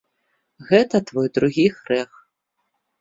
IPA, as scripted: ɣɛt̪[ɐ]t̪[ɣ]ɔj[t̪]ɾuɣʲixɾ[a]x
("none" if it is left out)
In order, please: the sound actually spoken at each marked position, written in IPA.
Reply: ɐ, v, d̪, ɛ

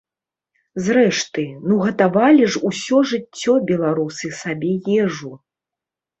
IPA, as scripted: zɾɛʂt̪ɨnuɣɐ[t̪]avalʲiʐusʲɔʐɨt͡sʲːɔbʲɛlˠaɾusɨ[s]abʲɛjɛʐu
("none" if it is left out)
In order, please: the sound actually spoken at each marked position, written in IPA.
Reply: t̪, s

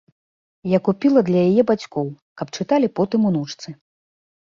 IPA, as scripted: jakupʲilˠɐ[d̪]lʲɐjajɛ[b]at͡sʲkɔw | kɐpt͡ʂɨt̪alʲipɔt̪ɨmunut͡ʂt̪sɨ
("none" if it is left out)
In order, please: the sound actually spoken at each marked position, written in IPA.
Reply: d̪, b

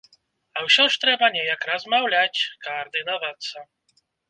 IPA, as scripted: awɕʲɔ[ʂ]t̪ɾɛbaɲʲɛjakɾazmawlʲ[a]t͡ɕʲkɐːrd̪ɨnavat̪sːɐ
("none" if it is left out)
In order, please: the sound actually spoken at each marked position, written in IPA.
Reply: ʂ, a

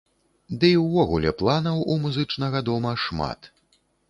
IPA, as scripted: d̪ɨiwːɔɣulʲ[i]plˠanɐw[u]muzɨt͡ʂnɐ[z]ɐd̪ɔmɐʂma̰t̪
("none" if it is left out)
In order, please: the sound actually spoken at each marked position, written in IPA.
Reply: ɛ, u, ɣ

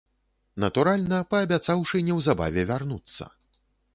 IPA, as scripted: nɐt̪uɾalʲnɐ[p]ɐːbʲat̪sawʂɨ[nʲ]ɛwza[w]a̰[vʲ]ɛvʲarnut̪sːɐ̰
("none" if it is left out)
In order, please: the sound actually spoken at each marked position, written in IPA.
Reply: p, nʲ, b, vʲ

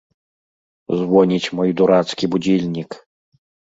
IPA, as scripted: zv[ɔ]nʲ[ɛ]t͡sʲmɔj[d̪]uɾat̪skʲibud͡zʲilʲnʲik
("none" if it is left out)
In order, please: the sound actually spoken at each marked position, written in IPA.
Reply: ɔ, i, d̪

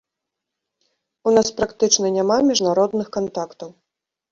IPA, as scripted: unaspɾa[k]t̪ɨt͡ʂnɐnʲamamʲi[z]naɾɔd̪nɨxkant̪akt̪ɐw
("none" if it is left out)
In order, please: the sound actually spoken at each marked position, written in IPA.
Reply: k, ʐ

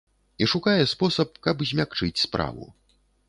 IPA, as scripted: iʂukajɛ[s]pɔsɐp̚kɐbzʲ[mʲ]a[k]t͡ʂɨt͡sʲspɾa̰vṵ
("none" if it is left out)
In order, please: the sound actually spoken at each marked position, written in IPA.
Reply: s, mʲ, k

